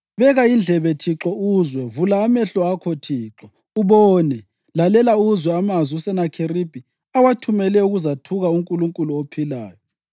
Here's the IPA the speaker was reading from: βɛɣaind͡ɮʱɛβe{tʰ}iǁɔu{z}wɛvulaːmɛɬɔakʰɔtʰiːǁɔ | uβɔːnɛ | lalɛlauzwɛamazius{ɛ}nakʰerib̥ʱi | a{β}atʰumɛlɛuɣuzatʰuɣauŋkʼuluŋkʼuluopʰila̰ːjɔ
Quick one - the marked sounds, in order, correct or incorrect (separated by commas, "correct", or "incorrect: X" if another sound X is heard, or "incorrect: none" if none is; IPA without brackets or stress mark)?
correct, correct, correct, incorrect: w